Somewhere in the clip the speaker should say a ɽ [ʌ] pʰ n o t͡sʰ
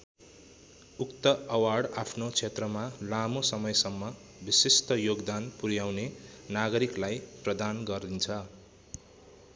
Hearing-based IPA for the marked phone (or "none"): a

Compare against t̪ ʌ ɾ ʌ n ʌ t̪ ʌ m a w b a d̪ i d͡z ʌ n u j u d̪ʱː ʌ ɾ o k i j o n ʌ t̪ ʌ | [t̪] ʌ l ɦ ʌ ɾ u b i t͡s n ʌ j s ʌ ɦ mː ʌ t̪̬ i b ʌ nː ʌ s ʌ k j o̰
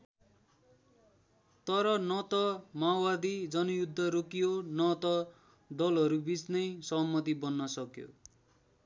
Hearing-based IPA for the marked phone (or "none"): d̪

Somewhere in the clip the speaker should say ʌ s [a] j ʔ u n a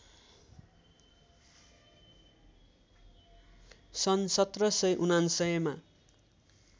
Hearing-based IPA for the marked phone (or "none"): ʌ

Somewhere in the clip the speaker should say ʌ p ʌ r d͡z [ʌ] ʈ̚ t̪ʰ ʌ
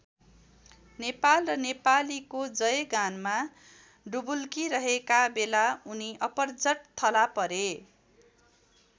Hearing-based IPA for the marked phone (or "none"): ʌ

